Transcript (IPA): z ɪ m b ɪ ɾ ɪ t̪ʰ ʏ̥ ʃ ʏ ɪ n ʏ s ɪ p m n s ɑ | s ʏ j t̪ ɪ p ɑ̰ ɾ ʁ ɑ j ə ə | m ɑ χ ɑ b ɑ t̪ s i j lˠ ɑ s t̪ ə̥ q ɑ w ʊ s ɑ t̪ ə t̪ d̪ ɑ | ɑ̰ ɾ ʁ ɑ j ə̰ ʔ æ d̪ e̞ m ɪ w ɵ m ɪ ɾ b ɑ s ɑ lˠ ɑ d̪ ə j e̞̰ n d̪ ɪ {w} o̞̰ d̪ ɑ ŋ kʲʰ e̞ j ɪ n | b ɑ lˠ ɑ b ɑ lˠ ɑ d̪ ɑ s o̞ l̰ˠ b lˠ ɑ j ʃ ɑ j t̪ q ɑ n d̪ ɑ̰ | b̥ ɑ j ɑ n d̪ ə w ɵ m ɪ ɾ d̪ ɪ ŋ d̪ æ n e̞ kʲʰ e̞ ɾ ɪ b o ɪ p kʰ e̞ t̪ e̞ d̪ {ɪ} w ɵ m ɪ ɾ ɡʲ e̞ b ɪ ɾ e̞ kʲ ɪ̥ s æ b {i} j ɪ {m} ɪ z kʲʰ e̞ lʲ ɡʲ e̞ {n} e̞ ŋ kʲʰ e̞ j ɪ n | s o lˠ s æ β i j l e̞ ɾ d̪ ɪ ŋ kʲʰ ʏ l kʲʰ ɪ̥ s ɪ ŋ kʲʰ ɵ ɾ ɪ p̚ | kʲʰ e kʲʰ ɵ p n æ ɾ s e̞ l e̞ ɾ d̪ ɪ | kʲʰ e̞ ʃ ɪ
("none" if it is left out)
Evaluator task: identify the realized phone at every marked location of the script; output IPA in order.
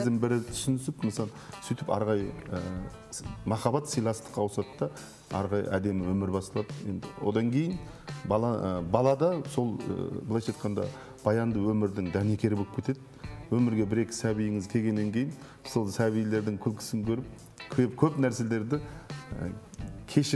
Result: w, ɪ, i, ŋ, nː

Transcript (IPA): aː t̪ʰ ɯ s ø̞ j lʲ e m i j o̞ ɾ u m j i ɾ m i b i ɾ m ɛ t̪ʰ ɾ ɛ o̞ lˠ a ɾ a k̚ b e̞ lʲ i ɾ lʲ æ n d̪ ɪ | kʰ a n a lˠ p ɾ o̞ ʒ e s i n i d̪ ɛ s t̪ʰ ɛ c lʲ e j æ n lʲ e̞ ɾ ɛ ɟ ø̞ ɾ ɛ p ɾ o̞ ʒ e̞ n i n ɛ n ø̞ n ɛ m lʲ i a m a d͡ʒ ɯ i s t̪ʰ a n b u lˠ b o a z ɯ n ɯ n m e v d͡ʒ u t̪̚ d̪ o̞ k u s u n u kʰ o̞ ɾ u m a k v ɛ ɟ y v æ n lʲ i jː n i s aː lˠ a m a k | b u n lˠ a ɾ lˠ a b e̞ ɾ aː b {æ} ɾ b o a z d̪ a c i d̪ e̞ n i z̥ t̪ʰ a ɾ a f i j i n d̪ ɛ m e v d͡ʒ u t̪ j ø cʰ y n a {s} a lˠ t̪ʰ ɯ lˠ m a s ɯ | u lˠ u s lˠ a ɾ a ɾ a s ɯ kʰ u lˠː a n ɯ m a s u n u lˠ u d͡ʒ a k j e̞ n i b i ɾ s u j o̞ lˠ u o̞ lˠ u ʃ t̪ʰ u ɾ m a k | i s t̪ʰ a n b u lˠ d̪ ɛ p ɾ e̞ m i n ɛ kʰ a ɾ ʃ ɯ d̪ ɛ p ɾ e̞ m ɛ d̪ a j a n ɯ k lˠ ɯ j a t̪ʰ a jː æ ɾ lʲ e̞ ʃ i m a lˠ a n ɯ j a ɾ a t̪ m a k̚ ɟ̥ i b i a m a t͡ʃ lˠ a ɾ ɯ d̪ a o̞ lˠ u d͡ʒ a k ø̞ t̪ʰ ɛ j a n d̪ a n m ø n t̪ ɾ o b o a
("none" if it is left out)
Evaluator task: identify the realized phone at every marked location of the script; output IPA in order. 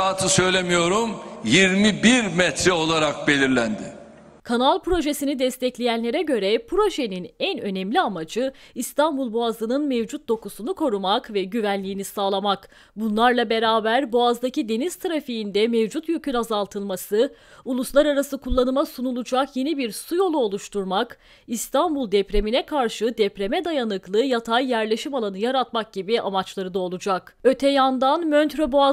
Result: æ, z

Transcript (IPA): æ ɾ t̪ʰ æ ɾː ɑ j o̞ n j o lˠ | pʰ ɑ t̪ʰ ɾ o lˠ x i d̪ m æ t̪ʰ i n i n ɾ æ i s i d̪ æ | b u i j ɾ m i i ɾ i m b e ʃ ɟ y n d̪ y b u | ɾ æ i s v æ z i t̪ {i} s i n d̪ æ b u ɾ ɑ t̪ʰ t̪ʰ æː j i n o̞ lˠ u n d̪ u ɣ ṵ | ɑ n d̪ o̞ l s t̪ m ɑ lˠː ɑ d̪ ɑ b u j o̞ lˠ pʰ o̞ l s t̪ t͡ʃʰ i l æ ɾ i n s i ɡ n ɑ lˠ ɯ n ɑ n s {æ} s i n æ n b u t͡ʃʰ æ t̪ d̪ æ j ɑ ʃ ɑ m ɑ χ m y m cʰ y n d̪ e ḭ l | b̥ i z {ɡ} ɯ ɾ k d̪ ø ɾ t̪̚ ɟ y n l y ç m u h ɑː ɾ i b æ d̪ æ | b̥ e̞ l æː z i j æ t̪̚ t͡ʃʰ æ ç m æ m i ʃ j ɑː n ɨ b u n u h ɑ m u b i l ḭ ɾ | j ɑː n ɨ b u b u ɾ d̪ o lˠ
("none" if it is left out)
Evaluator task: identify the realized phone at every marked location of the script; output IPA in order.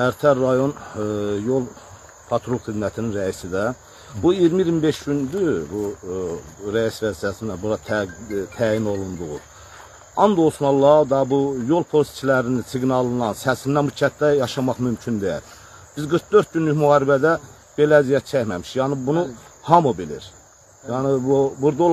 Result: æ, æ, ɡ

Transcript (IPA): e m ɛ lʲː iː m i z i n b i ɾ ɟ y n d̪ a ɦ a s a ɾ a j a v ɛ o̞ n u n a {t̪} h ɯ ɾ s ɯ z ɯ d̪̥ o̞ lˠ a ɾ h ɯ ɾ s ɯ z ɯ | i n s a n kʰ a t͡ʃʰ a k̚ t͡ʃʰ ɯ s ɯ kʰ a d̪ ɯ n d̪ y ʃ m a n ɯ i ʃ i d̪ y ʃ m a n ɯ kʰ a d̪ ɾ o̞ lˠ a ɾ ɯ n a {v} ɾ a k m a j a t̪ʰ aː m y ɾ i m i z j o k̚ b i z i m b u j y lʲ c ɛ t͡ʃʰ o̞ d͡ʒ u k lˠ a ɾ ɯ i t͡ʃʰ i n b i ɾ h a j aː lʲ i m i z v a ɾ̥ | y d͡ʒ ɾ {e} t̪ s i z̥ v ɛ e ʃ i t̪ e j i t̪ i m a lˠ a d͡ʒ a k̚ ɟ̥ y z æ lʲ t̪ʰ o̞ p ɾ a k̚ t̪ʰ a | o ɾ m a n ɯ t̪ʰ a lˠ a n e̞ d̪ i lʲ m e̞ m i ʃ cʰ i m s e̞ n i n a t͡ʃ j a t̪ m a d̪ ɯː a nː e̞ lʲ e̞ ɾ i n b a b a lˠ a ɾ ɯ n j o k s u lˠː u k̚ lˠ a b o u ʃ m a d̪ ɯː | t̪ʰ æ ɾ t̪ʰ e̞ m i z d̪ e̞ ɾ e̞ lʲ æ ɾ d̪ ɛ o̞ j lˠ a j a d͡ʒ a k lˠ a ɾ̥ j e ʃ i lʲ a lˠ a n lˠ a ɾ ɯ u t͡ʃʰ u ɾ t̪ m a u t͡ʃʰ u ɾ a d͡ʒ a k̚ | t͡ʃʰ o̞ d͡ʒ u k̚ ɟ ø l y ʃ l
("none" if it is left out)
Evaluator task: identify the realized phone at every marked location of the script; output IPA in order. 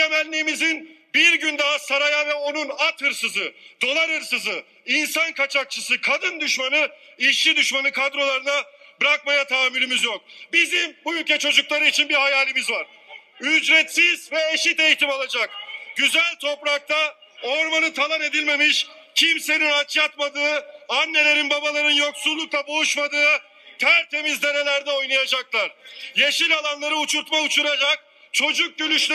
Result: t̪, b, ɛ

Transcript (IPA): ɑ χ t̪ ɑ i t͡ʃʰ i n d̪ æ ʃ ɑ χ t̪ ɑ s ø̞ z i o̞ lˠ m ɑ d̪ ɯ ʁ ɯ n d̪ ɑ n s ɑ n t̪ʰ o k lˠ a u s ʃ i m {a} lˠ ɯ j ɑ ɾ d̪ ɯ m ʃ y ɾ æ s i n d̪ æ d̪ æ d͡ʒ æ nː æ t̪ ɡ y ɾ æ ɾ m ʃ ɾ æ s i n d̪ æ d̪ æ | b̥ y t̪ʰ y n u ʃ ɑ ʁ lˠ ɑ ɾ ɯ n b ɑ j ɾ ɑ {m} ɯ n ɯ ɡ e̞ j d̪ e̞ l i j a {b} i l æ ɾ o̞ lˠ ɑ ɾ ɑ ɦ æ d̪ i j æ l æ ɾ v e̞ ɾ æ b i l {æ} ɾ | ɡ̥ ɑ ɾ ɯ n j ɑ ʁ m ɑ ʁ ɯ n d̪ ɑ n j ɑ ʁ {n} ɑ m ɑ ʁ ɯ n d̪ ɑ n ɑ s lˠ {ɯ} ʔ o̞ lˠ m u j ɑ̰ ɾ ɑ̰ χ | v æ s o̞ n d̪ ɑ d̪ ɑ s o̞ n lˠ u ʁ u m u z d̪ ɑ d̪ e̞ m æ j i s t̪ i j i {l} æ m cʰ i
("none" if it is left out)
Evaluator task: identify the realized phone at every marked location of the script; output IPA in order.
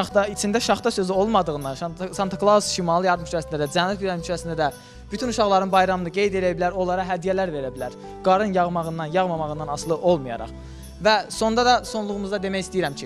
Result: ɑ, m, b, æ, m, ɯ, ɾ

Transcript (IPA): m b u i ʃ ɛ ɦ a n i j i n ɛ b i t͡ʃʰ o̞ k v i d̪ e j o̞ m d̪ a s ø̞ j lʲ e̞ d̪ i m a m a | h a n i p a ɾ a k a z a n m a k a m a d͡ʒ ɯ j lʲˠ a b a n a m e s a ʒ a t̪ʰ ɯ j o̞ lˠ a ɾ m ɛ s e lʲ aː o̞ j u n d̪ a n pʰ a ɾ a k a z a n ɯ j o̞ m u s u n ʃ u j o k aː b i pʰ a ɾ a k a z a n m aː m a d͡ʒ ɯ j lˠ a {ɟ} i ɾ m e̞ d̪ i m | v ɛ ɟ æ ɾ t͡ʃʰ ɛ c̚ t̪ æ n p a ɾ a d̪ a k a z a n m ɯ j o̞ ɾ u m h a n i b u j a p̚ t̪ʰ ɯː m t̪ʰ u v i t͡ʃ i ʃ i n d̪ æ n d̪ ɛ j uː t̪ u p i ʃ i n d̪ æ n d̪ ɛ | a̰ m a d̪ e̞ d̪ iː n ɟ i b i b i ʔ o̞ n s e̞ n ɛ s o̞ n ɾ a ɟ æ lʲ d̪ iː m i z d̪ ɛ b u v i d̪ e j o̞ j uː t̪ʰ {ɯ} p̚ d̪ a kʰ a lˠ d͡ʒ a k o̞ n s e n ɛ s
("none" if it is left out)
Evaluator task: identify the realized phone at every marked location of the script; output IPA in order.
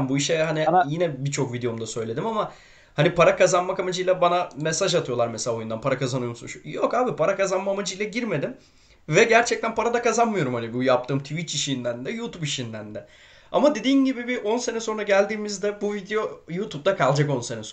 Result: ɟ, u

